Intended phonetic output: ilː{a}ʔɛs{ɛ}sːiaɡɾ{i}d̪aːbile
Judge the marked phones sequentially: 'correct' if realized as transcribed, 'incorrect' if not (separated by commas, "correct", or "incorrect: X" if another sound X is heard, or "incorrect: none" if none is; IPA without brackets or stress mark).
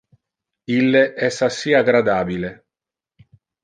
incorrect: e, incorrect: a, incorrect: a